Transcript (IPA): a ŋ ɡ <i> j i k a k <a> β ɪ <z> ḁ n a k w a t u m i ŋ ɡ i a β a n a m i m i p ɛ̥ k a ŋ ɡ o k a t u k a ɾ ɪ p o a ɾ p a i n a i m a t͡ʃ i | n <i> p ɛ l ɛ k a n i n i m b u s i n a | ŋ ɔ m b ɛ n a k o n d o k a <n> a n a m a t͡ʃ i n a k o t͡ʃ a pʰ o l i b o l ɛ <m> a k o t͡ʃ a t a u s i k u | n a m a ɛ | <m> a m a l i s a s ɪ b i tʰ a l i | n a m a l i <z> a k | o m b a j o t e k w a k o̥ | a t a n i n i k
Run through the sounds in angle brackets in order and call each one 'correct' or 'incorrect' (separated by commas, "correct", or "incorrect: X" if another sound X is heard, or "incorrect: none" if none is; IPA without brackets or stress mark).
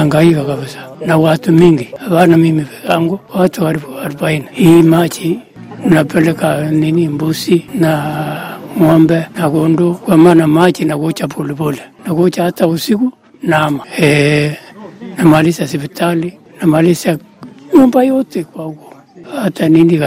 incorrect: a, correct, incorrect: s, incorrect: a, incorrect: m, incorrect: n, incorrect: n, incorrect: s